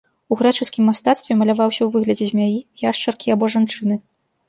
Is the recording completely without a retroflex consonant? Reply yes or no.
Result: no